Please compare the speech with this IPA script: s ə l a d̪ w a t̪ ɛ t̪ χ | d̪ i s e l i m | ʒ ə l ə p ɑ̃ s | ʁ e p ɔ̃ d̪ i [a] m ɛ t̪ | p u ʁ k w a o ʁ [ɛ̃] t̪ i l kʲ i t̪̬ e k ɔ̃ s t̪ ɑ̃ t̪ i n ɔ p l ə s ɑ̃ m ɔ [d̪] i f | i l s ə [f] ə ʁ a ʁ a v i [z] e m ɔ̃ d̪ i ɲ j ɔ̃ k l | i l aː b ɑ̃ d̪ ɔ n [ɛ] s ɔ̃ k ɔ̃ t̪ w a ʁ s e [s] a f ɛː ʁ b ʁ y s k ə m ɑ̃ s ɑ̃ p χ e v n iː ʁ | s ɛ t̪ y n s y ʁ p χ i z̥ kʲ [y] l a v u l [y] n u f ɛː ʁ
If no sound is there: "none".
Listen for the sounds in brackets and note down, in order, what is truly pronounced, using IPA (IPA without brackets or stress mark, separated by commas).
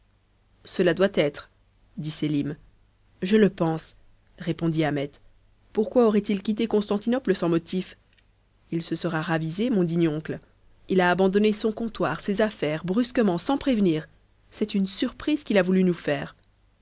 a, ɛ, t̪, s, z, e, z, i, y